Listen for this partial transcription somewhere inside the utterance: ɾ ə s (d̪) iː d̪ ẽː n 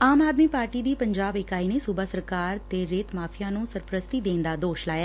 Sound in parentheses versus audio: incorrect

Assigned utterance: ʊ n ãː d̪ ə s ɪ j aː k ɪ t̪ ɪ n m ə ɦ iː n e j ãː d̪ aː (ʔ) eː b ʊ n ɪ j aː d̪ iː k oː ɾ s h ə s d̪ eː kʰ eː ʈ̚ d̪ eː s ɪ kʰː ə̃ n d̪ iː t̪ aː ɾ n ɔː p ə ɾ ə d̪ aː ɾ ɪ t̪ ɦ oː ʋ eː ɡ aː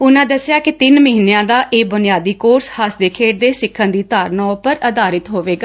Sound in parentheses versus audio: correct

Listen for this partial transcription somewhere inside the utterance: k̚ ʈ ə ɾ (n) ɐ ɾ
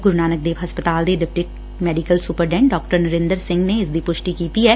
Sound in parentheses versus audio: correct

